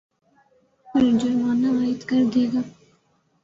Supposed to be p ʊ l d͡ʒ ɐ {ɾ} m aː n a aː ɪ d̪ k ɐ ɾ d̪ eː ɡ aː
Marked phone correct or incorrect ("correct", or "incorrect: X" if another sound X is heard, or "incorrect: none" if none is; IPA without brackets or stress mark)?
correct